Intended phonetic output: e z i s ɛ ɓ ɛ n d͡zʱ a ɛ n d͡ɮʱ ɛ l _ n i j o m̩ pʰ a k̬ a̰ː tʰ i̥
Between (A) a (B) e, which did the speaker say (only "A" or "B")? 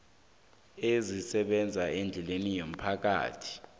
B